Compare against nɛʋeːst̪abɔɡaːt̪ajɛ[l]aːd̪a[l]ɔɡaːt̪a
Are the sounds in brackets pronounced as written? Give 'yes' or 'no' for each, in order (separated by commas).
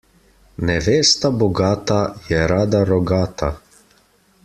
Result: no, no